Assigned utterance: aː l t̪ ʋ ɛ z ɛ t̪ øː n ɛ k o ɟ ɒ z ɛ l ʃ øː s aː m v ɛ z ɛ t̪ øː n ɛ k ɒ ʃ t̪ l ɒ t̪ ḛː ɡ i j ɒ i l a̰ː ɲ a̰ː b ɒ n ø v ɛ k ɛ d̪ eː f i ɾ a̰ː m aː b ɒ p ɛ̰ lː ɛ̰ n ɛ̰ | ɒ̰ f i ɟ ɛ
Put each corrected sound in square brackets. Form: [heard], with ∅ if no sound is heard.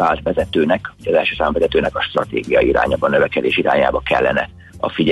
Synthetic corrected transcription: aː l t̪ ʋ ɛ z ɛ t̪ øː n ɛ k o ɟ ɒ z ɛ l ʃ øː s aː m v ɛ z ɛ t̪ øː n ɛ k ɒ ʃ t̪ [r] ɒ t̪ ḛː ɡ i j ɒ i [ɾ] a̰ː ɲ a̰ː b ɒ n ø v ɛ k ɛ d̪ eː [ʃ] i ɾ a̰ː [ɲ] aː b ɒ [k] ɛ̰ lː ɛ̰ n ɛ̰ | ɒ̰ f i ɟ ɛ